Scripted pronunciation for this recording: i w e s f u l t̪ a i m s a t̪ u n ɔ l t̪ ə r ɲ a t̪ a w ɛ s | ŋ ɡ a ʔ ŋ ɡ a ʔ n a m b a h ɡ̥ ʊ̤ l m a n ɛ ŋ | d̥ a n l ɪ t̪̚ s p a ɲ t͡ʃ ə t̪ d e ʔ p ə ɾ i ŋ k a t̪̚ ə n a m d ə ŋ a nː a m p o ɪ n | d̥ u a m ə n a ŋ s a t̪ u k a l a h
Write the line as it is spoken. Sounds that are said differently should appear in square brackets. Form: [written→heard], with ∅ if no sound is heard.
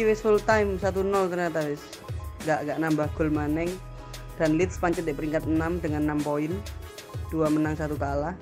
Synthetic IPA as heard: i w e s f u l t̪ a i m s a t̪ u n ɔ l t̪ ə r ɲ a t̪ a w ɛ s | ŋ ɡ a ʔ ŋ ɡ a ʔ n a m b a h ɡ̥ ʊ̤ l m a n ɛ ŋ | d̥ a n l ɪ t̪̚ s p a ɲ t͡ʃ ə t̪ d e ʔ p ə ɾ i ŋ k a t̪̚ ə n a m d ə ŋ a nː a m p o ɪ n | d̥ u a m ə n a ŋ s a t̪ u k a l a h